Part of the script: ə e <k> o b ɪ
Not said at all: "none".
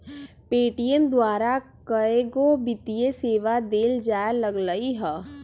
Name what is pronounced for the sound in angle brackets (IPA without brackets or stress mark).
ɡ